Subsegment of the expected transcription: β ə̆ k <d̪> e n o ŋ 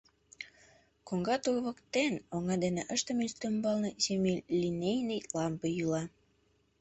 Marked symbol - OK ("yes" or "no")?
no